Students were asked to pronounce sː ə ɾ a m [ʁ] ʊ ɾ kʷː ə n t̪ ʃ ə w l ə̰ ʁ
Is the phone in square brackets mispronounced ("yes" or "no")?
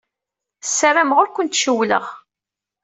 no